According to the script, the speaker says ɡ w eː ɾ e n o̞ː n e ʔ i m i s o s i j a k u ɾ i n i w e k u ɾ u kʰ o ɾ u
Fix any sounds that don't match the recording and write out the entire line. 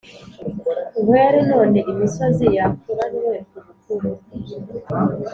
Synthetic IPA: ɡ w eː ɾ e n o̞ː n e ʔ i m i s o z i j a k u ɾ a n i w e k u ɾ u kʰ u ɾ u